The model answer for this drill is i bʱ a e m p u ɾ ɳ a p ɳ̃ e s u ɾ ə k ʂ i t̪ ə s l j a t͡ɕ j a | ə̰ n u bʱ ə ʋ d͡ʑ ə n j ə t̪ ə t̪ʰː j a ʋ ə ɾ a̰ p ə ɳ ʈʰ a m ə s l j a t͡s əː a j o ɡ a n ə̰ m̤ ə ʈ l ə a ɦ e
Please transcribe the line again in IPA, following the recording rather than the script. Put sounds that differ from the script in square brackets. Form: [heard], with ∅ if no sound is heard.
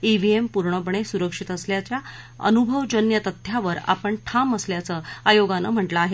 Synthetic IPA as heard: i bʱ [i] e m p u ɾ ɳ [ə] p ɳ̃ e s u ɾ ə k ʂ i t̪ ə s l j a t͡ɕ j a | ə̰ n u bʱ ə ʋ d͡ʑ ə n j ə t̪ ə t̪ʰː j a ʋ ə ɾ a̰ p ə ɳ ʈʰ a m ə s l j a t͡s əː a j o ɡ a n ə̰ m̤ ə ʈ l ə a ɦ e

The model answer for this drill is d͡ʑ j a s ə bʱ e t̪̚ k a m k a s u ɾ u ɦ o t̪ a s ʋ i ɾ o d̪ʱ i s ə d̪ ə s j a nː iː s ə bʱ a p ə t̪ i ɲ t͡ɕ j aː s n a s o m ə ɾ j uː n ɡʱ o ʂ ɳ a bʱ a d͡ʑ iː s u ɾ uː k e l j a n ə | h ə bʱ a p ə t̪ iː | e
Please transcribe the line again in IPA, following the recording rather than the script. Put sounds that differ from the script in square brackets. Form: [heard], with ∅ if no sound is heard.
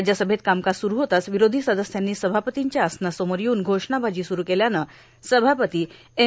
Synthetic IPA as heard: d͡ʑ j a s ə bʱ e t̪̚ k a m k a s u ɾ u ɦ o t̪ a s ʋ i ɾ o d̪ʱ i s ə d̪ ə s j a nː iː s ə bʱ a p ə t̪ i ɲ t͡ɕ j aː s n a s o m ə ɾ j uː n ɡʱ o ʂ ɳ a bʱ a d͡ʑ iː s u ɾ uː k e l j a n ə | [s] ə bʱ a p ə t̪ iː | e

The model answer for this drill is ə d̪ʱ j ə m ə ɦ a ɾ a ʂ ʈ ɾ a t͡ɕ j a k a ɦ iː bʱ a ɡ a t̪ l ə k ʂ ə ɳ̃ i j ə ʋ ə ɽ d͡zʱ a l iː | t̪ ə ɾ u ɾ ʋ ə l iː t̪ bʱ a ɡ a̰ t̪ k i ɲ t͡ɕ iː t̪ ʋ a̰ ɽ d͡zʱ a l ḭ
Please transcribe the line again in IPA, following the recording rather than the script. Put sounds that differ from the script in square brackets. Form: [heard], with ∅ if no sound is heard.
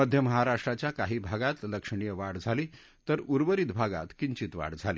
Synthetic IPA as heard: ə d̪ʱ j ə m ə ɦ a ɾ a ʂ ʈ ɾ a t͡ɕ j a k a ɦ iː bʱ a ɡ a t̪ l ə k ʂ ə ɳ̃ i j ə ʋ [a] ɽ d͡zʱ a l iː | t̪ ə ɾ u ɾ ʋ ə [ɾ] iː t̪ bʱ a ɡ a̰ t̪ k i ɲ t͡ɕ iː t̪ ʋ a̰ ɽ d͡zʱ a l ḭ

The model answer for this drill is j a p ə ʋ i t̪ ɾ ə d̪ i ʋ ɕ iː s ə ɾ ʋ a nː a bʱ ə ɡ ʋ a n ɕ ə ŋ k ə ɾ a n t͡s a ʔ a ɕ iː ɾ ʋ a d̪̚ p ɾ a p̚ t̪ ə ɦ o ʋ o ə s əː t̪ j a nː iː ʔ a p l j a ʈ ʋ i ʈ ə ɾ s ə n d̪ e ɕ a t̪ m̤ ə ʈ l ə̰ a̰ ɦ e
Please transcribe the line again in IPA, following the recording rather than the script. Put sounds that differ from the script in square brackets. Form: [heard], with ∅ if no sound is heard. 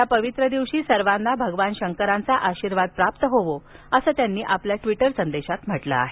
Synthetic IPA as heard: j a p ə ʋ i t̪ ɾ ə d̪ i ʋ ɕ iː s ə ɾ ʋ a nː a bʱ ə ɡ ʋ a n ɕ ə ŋ k ə ɾ a n t͡s a ʔ a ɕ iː ɾ ʋ a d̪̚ p ɾ a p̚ t̪ ə ɦ o ʋ o ə s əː t̪ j a nː iː ʔ a p l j a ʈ ʋ i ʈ ə ɾ s ə n d̪ e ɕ a t̪ m̤ ə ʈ l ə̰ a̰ ɦ e

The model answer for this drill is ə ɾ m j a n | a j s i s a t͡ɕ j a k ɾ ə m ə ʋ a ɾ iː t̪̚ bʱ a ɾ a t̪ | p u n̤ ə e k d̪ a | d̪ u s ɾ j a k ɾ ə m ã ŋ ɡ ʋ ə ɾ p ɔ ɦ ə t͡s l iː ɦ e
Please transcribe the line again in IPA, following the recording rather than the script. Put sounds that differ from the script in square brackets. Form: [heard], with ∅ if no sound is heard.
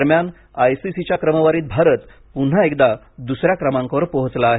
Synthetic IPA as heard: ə ɾ m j a n | a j s i s [i] t͡ɕ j a k ɾ ə m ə ʋ a ɾ iː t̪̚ bʱ a ɾ [ə] t̪ | p u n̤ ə e k d̪ a | d̪ u s ɾ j a k ɾ ə m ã ŋ [k] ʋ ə ɾ p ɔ ɦ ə t͡s l [aː] ɦ e

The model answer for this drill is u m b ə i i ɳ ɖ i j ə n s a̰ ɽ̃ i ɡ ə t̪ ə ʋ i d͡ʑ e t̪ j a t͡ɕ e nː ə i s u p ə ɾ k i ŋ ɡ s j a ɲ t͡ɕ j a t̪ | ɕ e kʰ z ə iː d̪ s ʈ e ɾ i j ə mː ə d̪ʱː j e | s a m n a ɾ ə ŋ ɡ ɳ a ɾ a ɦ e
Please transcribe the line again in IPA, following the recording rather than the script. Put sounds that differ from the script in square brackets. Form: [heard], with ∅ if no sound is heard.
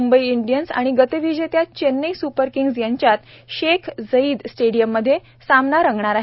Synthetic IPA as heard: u m b ə i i ɳ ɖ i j ə n s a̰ ɽ̃ i ɡ ə t̪ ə ʋ i d͡ʑ e t̪ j a t͡ɕ e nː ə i s u p ə ɾ k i ŋ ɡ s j a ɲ t͡ɕ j a t̪ | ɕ e kʰ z ə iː d̪ s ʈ e [ɽ] i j ə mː ə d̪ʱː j e | s a m n a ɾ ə ŋ ɡ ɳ a ɾ a ɦ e

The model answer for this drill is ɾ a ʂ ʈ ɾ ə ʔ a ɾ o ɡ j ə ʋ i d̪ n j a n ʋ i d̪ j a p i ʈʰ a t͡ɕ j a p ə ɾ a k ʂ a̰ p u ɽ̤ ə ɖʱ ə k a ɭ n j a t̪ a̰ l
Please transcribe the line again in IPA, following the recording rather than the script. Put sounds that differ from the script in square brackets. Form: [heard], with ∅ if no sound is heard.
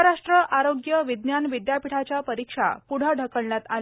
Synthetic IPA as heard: ɾ a ʂ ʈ ɾ ə ʔ a ɾ o ɡ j ə ʋ i d̪ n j a n ʋ i d̪ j a p i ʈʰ a t͡ɕ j a p ə ɾ [i] k ʂ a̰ p u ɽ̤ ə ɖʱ ə k [ə] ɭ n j a t̪ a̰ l

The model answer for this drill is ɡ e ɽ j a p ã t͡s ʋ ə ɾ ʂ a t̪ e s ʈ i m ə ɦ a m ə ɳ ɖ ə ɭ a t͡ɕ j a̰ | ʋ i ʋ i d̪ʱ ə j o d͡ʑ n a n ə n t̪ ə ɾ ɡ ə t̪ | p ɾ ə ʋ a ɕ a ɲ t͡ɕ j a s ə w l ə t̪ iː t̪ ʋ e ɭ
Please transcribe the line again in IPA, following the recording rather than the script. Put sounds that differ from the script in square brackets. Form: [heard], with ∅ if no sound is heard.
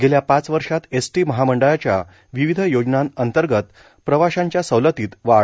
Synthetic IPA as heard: ɡ e [l] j a p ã t͡s ʋ ə ɾ ʂ a t̪ e s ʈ i m ə ɦ a m ə ɳ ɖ ə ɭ a t͡ɕ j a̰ | ʋ i ʋ i d̪ʱ ə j o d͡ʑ n a n ə n t̪ ə ɾ ɡ ə t̪ | p ɾ ə ʋ a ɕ a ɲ t͡ɕ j a s ə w l ə t̪ iː t̪ ʋ [a] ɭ

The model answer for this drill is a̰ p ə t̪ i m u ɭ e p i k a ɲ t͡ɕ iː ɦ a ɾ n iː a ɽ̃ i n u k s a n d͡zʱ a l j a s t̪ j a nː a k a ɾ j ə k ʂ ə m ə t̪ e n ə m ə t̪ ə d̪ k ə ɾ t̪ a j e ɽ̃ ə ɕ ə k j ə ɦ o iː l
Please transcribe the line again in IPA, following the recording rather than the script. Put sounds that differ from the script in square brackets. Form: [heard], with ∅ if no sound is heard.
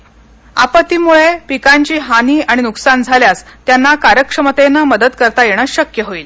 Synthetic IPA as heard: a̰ p ə t̪ i m u ɭ e p i k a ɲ t͡ɕ iː ɦ a [∅] n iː a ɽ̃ i n u k s a n d͡zʱ a l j a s t̪ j a nː a k a ɾ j ə k ʂ ə m ə t̪ e n ə m ə [d̪] ə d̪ k ə ɾ t̪ a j e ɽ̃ ə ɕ ə k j ə ɦ o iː l

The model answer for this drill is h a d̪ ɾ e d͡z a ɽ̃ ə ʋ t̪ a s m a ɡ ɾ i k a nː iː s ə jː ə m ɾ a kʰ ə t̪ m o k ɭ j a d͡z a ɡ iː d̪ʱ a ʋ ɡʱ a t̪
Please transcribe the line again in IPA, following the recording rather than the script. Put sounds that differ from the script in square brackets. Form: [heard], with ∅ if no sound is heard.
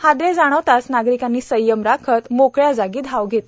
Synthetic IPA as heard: h a d̪ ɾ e d͡z a ɽ̃ ə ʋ t̪ a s [n] a ɡ ɾ i k a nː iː s ə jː ə m ɾ a kʰ ə t̪ m o k ɭ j a d͡z a ɡ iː d̪ʱ a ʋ ɡʱ [e] t̪

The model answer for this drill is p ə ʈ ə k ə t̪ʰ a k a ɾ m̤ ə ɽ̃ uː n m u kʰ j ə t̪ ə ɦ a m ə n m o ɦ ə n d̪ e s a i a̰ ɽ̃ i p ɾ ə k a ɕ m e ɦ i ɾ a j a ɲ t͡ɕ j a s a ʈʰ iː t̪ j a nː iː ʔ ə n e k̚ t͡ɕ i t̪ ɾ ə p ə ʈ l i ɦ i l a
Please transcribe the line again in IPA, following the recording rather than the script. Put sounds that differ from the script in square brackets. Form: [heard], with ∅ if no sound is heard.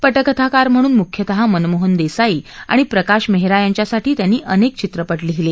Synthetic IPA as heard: p ə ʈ ə k ə t̪ʰ a k a ɾ m̤ ə ɽ̃ uː n m u kʰ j ə t̪ ə ɦ a m ə n m o ɦ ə n d̪ e s a i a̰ ɽ̃ i p ɾ ə k a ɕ m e ɦ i ɾ a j a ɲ t͡ɕ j a s a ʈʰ iː t̪ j a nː iː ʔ ə n e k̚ t͡ɕ i t̪ ɾ ə p ə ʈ l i ɦ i l [e]

